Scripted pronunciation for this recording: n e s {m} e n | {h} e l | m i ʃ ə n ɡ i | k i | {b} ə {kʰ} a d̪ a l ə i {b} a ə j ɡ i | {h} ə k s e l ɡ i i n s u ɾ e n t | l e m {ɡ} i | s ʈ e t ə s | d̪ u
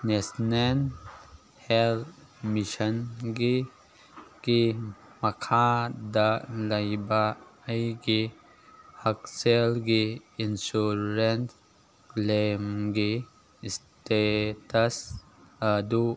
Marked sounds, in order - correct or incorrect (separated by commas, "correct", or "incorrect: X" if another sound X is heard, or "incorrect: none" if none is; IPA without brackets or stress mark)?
incorrect: n, correct, incorrect: m, correct, correct, correct, correct